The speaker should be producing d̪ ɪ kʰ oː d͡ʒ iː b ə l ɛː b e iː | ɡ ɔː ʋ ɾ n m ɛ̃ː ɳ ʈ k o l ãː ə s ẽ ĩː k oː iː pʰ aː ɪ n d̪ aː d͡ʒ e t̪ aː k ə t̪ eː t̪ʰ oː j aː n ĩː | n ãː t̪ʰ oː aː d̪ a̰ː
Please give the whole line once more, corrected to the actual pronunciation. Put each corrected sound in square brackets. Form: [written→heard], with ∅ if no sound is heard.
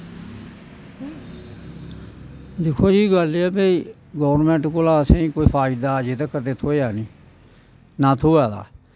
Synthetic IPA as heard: d̪ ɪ kʰ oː d͡ʒ iː [b→ɡ] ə l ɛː b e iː | ɡ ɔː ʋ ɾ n m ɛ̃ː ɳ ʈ k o l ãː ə s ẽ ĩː k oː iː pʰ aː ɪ [n→∅] d̪ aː d͡ʒ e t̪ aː k ə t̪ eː t̪ʰ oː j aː n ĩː | n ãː t̪ʰ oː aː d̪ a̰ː